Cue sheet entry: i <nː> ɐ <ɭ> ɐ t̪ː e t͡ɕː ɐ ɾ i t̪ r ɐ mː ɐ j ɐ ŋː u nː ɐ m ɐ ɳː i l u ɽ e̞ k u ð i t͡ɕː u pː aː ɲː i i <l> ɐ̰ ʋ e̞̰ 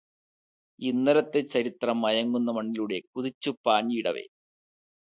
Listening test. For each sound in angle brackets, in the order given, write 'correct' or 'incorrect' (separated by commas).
correct, incorrect, incorrect